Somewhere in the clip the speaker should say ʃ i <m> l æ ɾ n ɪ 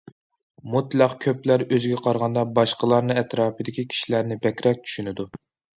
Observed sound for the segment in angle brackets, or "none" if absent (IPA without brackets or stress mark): none